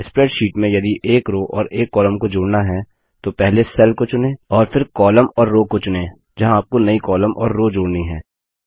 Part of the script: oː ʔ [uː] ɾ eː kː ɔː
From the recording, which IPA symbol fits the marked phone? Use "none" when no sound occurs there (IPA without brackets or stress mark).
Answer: ɔː